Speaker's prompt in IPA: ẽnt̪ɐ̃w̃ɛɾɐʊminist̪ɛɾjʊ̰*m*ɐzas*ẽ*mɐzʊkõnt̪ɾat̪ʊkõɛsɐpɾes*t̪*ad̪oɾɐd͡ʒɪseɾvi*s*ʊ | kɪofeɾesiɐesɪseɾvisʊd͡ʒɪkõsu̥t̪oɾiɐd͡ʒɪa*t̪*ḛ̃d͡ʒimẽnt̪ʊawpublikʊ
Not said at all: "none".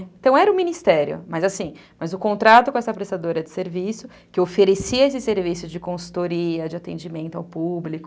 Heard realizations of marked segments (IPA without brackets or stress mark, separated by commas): m, ĩ, t̪, s, t̪